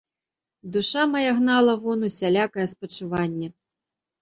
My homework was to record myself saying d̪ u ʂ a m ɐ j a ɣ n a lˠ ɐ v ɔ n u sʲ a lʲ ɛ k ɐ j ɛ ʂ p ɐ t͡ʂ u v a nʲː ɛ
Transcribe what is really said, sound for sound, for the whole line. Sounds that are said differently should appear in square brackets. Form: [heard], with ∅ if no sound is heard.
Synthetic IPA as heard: d̪ u ʂ a m ɐ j a ɣ n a lˠ ɐ v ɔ n u sʲ a lʲ [a] k ɐ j ɛ [s] p ɐ t͡ʂ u v a nʲː ɛ